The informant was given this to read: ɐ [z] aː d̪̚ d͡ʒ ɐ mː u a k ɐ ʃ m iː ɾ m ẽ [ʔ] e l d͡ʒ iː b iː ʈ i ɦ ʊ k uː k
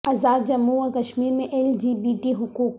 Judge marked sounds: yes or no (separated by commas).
yes, yes